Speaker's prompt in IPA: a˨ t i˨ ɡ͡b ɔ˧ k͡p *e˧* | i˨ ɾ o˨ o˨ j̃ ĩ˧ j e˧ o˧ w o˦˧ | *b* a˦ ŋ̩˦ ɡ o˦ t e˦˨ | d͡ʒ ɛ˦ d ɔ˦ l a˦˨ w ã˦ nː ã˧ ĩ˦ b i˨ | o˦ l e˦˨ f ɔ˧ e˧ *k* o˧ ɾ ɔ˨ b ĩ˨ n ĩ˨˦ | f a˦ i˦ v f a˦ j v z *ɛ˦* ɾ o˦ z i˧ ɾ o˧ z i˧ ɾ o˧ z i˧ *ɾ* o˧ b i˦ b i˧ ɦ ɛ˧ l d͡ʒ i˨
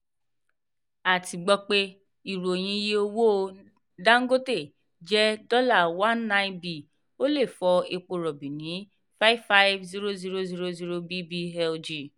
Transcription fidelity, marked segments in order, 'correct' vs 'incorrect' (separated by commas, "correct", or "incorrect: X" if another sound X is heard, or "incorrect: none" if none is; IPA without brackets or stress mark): correct, incorrect: d, incorrect: k͡p, incorrect: i˦, correct